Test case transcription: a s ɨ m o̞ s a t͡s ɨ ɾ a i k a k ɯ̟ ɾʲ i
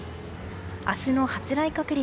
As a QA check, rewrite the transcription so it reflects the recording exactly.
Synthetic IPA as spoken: a s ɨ n o̞ h a t͡s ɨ ɾ a i k a k ɯ̟ ɾʲ i